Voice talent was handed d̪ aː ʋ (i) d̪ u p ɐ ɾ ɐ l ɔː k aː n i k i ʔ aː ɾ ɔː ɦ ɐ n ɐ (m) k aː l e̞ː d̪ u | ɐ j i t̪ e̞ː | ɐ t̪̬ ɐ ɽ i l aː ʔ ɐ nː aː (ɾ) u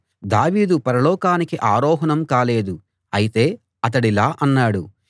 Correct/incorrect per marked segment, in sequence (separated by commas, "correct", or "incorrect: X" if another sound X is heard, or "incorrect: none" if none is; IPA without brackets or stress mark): incorrect: iː, correct, incorrect: ɽ